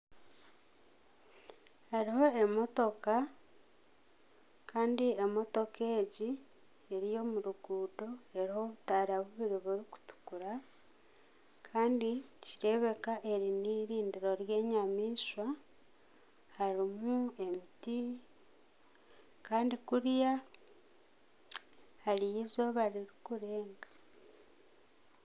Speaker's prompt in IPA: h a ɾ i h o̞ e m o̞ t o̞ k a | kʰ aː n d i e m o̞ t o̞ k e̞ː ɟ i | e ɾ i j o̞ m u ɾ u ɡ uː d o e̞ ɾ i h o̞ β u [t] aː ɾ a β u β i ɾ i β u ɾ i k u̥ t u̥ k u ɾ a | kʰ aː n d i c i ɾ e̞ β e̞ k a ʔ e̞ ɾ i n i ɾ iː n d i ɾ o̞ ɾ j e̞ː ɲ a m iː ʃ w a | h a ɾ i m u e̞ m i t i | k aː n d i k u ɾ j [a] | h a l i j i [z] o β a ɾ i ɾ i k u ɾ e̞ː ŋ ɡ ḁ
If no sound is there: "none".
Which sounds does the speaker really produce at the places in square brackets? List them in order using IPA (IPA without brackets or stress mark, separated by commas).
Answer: t, a, z